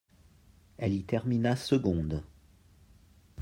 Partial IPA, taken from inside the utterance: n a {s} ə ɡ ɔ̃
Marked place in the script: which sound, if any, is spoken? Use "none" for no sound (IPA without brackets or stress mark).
s